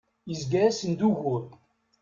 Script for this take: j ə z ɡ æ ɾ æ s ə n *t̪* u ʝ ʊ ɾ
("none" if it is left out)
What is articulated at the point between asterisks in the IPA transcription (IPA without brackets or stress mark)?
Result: d̪